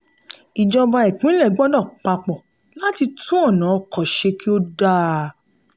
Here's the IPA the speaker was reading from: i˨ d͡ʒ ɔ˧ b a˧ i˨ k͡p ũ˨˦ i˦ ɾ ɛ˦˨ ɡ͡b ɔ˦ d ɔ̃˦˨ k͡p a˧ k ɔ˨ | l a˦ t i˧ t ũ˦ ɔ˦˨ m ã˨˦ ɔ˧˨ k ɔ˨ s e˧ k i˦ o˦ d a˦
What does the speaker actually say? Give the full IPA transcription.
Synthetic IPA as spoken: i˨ d͡ʒ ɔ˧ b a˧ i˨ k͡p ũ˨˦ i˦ l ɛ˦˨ ɡ͡b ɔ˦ d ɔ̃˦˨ k͡p a˧ k͡p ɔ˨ | l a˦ t i˧ t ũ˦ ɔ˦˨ n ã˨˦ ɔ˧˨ k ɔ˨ ʃ e˧ k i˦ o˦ d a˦